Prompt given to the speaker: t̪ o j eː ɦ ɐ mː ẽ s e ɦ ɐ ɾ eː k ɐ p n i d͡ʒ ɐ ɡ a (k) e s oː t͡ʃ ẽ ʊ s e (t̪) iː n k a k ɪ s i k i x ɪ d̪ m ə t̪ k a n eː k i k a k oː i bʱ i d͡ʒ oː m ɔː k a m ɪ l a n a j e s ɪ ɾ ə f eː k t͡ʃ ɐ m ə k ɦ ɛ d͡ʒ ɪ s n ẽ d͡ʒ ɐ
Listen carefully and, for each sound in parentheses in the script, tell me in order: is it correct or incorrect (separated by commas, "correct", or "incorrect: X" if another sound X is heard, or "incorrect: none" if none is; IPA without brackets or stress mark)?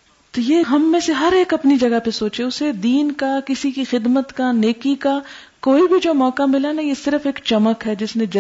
incorrect: p, incorrect: d̪